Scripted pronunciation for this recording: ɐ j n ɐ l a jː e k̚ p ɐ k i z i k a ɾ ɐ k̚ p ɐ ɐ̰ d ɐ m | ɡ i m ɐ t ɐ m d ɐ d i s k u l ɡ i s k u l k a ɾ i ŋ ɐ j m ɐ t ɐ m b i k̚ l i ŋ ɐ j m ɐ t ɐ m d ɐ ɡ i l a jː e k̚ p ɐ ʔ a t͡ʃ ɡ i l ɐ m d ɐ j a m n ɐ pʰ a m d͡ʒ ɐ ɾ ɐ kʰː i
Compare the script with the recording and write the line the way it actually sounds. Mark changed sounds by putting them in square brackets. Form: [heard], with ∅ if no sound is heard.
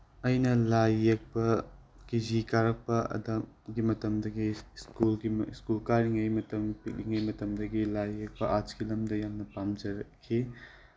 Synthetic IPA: ɐ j n ɐ l a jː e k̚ p ɐ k i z i k a ɾ ɐ k̚ p ɐ ɐ̰ d ɐ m | ɡ i m ɐ t ɐ m d ɐ [ɡ] i s k u l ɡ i s k u l k a ɾ i ŋ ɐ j m ɐ t ɐ m [p] i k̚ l i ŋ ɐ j m ɐ t ɐ m d ɐ ɡ i l a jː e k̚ p ɐ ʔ a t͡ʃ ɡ i l ɐ m d ɐ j a m n ɐ [p] a m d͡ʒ ɐ ɾ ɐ kʰː i

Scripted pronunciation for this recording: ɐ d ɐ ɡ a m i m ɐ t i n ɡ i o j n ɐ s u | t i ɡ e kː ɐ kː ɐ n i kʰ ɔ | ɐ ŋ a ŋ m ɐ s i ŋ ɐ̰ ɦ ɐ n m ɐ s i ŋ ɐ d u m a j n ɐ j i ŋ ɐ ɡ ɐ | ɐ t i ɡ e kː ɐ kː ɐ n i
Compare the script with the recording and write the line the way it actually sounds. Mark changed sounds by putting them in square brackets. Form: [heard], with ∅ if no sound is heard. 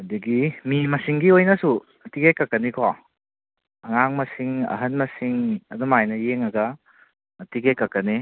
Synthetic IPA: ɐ d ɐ ɡ [i] m i m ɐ [s] i [ŋ] ɡ i o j n ɐ s u | t i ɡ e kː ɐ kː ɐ n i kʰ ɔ | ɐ ŋ a ŋ m ɐ s i ŋ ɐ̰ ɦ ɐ n m ɐ s i ŋ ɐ d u m a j n ɐ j [e] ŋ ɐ ɡ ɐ | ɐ t i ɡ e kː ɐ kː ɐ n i

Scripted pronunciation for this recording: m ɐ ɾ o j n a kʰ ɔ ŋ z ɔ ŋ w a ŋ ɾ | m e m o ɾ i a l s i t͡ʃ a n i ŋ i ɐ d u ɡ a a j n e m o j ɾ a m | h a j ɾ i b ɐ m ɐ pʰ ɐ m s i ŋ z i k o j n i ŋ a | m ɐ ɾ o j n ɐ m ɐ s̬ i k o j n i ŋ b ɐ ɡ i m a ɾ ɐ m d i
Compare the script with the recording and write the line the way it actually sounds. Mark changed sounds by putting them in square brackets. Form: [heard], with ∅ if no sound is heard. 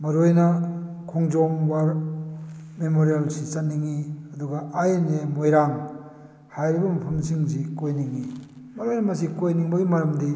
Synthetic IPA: m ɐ ɾ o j n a kʰ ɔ ŋ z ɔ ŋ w a [∅] ɾ | m e m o ɾ i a l s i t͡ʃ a n i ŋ i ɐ d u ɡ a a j n e m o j ɾ a [ŋ] | h a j ɾ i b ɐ m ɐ pʰ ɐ m s i ŋ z i k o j n i ŋ [i] | m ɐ ɾ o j n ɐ m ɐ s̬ i k o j n i ŋ b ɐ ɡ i m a ɾ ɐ m d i

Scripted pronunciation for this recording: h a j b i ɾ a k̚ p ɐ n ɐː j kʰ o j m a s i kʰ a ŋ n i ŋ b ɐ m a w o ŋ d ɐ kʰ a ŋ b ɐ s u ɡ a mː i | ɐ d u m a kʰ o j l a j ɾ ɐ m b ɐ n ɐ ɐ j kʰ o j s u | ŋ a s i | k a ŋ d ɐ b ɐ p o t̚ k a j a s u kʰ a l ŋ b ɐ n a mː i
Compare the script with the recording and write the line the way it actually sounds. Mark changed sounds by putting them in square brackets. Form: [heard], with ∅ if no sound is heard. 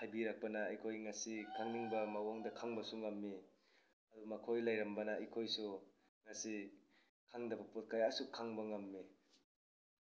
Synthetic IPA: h a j b i ɾ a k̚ p ɐ n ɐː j kʰ o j [ŋ] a s i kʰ a ŋ n i ŋ b ɐ m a w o ŋ d ɐ kʰ a ŋ b ɐ s u [ŋ] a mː i | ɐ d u m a kʰ o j l a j ɾ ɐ m b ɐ n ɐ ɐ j kʰ o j s u | ŋ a s i | [kʰ] a ŋ d ɐ b ɐ p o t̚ k a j a s u kʰ a [∅] ŋ b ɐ [ŋ] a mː i

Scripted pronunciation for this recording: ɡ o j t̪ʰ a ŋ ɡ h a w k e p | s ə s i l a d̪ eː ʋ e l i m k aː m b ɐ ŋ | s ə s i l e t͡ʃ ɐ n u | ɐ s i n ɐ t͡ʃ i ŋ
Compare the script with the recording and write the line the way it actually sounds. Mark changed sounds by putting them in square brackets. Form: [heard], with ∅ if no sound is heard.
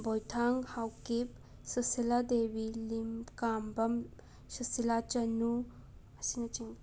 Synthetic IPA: [b] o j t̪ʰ a ŋ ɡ h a w k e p | s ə s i l a d̪ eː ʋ [i] l i m k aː m b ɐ [m] | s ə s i l [a] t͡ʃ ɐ n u | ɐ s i n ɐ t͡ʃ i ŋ

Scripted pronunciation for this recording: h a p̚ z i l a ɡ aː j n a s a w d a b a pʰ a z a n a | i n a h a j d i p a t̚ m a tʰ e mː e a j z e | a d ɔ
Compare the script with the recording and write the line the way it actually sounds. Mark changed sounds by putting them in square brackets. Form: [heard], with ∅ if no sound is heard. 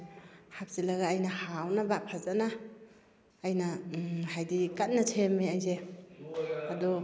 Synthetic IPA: h a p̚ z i l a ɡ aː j n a [h] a w [n] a b a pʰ a z a n a | [j] n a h a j d i [k] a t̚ [n] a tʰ e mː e a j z e | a d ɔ

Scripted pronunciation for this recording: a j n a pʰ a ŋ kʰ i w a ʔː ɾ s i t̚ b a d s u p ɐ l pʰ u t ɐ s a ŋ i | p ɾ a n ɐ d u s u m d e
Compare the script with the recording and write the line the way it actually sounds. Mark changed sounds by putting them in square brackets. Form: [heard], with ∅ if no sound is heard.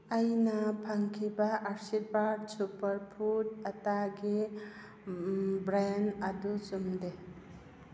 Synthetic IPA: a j n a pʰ a ŋ kʰ i [b] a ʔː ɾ s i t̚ b a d s u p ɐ [ɾ] pʰ u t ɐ [t] a [ɡ] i | [b] ɾ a n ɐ d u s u m d e

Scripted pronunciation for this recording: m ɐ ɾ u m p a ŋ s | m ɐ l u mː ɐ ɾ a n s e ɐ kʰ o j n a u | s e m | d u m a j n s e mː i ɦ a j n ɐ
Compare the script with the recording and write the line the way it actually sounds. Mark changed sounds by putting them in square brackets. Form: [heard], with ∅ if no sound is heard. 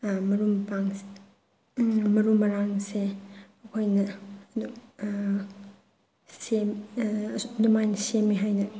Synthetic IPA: m ɐ ɾ u m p a ŋ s | m ɐ [ɾ] u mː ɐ ɾ a [ŋ] s e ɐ kʰ o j n [ɐ] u | s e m | d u m a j n s e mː i ɦ a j n ɐ

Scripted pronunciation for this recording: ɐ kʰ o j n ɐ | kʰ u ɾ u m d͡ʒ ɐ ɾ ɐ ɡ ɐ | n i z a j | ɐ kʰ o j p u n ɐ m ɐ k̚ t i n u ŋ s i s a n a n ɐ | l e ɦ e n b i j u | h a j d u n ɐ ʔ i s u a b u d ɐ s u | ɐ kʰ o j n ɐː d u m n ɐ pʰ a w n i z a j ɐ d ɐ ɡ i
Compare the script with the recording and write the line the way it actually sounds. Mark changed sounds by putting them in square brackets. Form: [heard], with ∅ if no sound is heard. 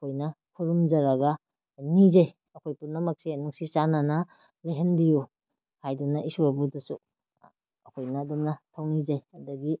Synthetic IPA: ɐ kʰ o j n ɐ | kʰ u ɾ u m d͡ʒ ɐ ɾ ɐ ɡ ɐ | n i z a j | ɐ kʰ o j p u n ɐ m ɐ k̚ [s] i n u ŋ s i s a n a n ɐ | l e ɦ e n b i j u | h a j d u n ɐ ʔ i s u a b u d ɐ s u | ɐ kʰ o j n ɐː d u m n ɐ [tʰ] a w n i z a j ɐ d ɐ ɡ i

